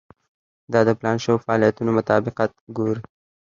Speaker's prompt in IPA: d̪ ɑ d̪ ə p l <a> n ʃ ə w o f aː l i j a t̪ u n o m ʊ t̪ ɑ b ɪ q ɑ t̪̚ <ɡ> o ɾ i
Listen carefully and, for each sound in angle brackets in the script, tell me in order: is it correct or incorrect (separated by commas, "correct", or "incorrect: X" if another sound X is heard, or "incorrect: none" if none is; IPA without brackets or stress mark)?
incorrect: ɑ, correct